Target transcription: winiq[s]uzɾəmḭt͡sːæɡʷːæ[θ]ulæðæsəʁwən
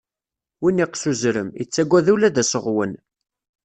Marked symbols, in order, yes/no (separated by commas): yes, no